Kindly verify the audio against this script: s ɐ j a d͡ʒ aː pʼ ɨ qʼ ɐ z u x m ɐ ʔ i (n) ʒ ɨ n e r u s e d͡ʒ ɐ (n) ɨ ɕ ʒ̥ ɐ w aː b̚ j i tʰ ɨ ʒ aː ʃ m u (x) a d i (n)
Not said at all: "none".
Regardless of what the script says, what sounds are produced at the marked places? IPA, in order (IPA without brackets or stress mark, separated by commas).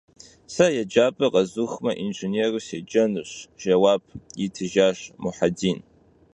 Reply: n, n, ħ, n